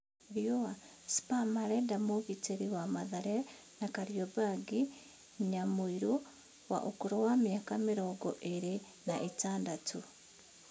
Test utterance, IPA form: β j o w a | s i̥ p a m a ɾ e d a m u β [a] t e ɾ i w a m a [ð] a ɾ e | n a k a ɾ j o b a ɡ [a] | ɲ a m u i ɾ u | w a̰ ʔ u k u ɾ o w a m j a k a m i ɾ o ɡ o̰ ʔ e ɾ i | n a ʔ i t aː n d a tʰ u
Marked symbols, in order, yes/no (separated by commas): no, yes, no